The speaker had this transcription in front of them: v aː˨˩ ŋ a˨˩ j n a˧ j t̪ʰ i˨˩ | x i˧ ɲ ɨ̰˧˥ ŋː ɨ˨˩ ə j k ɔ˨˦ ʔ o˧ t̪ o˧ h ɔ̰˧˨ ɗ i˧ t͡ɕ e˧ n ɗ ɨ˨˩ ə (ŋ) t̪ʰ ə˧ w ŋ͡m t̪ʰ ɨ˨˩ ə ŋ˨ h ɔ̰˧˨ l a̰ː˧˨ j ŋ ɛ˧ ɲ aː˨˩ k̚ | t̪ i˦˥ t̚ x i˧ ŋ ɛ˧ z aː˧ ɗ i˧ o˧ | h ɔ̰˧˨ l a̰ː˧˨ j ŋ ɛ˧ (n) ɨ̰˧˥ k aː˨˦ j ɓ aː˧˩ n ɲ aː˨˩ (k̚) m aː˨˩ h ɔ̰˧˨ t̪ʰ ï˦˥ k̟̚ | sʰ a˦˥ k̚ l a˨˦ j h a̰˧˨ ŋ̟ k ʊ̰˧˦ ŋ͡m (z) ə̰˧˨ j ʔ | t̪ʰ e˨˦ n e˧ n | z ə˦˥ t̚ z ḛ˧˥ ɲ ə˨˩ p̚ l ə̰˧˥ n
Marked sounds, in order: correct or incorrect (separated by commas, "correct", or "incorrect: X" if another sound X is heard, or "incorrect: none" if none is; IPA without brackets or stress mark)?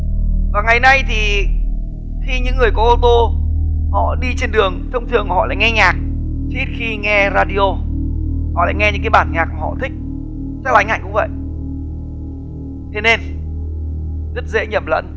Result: correct, incorrect: ɲ, correct, incorrect: v